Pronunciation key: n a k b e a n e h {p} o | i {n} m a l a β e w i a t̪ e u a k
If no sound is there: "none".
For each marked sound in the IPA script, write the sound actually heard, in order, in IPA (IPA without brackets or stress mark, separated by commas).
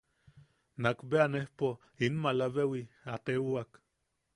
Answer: p, n